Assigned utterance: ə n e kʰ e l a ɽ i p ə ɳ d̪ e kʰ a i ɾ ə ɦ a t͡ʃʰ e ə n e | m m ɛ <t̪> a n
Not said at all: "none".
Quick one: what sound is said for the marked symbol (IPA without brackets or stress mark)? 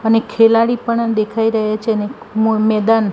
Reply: d̪